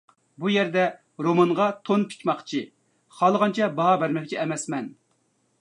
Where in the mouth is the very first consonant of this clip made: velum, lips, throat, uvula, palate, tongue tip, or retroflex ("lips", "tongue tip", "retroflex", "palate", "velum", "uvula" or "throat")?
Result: lips